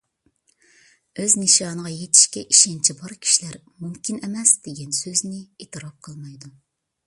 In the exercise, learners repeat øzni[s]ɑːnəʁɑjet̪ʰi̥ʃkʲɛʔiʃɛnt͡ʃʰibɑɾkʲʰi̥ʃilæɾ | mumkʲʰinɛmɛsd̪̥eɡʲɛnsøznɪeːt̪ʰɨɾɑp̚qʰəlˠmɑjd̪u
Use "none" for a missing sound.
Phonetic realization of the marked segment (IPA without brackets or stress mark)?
ʃ